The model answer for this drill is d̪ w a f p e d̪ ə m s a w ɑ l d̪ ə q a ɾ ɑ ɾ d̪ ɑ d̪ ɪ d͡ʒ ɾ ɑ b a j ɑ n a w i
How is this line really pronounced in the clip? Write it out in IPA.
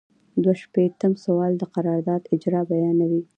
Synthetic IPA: d̪ w a ʃ p e t̪ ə m s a w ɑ l d̪ ə q a ɾ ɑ ɾ d̪ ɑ d̪ ɪ d͡ʒ ɾ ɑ b a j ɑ n a w i